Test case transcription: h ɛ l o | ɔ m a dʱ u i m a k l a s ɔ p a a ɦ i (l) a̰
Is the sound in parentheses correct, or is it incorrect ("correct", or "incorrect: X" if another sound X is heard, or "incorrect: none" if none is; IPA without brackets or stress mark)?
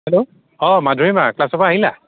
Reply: correct